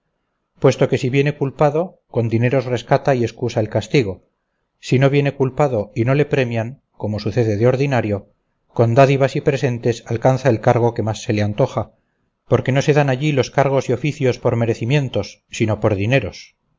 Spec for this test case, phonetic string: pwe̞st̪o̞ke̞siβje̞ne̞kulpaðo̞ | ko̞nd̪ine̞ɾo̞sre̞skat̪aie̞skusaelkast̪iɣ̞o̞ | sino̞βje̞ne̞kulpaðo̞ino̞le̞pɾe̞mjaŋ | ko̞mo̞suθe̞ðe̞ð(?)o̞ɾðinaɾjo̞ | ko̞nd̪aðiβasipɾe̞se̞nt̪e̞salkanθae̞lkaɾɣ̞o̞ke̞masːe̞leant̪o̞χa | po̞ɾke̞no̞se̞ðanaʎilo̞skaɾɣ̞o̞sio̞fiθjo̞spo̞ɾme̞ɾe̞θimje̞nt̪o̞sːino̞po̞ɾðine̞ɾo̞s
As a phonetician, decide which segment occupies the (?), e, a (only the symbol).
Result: e